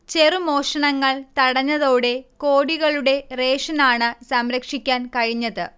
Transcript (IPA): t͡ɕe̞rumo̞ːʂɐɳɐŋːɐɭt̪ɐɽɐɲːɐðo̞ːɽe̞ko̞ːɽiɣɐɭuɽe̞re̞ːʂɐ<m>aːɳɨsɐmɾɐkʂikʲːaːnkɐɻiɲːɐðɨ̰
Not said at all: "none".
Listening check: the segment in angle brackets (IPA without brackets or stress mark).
n